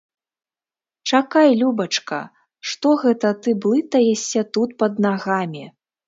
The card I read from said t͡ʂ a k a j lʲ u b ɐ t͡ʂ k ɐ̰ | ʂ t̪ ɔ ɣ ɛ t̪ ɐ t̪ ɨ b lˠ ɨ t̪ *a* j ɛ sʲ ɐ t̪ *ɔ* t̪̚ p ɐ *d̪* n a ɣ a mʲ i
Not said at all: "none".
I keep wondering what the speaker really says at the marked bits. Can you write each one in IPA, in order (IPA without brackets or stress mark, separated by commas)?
ɐ, u, d̪